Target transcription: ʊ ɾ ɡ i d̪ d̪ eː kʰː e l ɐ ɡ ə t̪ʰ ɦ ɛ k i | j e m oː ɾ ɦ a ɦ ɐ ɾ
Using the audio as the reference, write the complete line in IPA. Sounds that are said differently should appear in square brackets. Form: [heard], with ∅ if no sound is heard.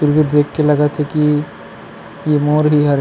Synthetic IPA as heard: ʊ ɾ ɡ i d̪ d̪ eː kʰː e l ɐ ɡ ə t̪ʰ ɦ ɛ k i | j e m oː ɾ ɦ [i] ɦ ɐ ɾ